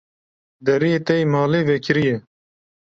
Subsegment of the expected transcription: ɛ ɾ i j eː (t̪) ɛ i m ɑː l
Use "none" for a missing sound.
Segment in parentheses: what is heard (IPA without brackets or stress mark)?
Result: t̪